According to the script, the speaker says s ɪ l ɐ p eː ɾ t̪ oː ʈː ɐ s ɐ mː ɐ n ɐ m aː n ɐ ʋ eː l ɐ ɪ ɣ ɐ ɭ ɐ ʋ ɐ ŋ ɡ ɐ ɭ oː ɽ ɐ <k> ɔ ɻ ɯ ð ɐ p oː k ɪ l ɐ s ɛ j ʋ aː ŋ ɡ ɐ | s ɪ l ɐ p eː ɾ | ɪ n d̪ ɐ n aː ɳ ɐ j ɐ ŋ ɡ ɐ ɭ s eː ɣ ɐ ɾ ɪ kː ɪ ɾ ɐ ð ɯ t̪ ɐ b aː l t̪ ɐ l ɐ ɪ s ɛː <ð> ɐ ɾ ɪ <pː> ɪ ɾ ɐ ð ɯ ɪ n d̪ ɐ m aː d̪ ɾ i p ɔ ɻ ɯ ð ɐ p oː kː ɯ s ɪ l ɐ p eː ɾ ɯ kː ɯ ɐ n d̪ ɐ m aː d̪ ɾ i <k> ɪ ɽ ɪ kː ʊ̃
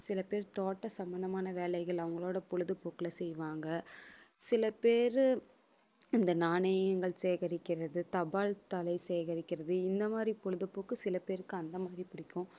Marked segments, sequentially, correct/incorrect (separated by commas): incorrect, incorrect, incorrect, incorrect